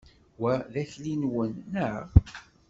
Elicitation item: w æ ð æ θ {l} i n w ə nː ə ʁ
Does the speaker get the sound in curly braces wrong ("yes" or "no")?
no